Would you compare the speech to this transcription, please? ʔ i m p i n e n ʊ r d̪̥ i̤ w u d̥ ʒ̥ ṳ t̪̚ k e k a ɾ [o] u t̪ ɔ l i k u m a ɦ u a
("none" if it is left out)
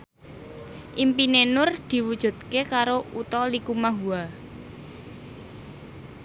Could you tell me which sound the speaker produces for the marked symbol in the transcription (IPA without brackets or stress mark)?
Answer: o